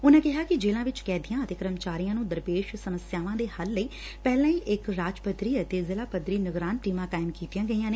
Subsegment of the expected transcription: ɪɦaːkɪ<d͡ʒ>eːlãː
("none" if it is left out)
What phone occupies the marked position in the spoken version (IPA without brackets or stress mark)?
d͡ʒ